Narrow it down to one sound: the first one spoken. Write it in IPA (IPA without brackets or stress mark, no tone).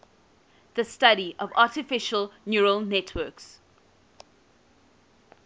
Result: ð